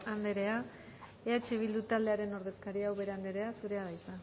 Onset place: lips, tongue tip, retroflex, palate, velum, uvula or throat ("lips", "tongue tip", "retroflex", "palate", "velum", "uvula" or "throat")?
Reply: tongue tip